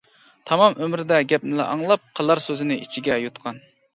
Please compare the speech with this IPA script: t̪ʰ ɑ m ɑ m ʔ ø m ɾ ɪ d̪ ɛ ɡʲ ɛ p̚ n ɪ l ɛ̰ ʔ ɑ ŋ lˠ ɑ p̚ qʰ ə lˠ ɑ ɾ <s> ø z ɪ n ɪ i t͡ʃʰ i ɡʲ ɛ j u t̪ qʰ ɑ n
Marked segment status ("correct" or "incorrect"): correct